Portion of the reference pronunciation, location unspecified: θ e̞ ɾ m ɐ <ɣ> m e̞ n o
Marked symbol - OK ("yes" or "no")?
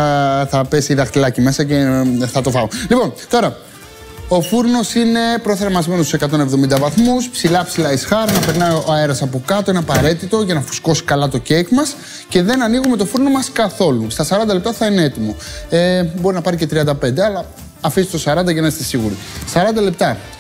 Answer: no